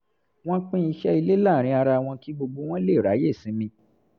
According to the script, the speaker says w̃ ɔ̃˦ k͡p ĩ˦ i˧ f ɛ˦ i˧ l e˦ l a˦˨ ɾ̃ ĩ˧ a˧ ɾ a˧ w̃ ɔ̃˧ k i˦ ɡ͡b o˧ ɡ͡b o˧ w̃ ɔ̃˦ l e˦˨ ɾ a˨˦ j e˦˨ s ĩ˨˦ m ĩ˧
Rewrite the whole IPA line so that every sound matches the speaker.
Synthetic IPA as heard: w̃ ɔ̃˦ k͡p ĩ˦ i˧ ʃ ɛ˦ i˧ l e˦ l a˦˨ ɾ̃ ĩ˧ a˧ ɾ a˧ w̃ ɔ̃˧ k i˦ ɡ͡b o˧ ɡ͡b o˧ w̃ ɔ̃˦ l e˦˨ ɾ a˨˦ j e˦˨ s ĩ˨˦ m ĩ˧